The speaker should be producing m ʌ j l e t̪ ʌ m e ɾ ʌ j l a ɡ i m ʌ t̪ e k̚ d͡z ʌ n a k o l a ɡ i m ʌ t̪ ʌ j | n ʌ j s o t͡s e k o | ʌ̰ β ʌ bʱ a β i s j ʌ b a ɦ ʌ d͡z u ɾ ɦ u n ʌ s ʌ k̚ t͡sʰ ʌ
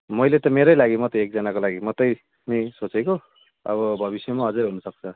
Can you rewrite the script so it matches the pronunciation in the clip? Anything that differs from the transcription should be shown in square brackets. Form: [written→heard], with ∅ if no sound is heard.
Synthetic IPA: m ʌ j l e t̪ ʌ m e ɾ ʌ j l a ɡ i m ʌ t̪ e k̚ d͡z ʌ n a k o l a ɡ i m ʌ t̪ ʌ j | n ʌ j s o t͡s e k o | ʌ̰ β ʌ bʱ [a→ʌ] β i s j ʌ [b→m] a ɦ ʌ d͡z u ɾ ɦ u n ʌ s ʌ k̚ t͡sʰ ʌ